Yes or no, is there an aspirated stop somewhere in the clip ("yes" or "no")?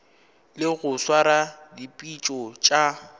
no